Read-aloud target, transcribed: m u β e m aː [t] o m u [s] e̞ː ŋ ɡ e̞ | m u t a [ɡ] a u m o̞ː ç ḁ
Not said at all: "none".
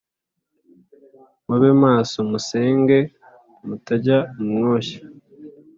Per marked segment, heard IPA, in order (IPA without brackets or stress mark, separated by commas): s, s, ɟ